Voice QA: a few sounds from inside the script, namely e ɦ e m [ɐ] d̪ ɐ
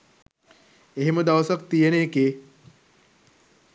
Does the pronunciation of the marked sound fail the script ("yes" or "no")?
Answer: yes